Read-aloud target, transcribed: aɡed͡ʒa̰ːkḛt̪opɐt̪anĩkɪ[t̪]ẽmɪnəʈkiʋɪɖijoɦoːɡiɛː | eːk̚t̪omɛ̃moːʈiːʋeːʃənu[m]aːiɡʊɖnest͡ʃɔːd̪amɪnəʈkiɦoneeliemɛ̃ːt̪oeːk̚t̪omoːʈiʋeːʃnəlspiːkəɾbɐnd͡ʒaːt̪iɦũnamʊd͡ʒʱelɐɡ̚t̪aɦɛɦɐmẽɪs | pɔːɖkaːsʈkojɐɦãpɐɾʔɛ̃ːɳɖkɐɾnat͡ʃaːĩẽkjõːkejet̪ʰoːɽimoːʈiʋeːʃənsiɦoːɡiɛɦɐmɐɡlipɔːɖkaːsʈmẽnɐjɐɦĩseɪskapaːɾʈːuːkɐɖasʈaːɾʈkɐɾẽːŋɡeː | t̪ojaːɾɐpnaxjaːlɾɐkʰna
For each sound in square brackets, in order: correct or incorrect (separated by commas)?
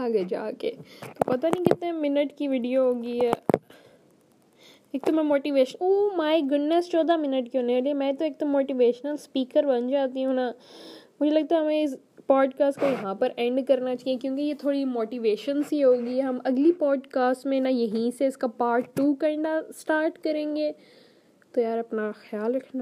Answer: correct, correct